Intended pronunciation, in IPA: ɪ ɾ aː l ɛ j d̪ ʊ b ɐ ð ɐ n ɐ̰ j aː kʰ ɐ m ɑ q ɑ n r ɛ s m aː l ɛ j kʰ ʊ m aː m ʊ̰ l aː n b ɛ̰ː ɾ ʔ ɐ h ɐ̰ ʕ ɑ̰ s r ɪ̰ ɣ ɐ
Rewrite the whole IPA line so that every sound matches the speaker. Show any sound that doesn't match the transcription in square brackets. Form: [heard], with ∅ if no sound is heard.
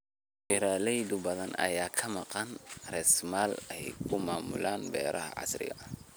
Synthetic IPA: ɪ ɾ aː l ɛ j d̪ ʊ b ɐ ð ɐ n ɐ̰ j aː kʰ ɐ m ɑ q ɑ n r ɛ s m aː l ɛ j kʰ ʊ m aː m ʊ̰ l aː n b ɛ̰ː ɾ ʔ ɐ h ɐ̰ ʕ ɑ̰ s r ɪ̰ ɣ ɐ